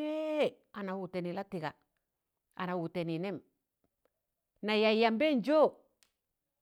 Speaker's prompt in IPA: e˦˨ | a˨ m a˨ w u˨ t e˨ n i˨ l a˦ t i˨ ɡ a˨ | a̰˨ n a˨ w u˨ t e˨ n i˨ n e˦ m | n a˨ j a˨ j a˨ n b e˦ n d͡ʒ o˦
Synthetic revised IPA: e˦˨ | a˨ n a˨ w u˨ t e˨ n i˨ l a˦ t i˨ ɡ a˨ | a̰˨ n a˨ w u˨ t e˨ n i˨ n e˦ m | n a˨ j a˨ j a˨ m b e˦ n d͡ʒ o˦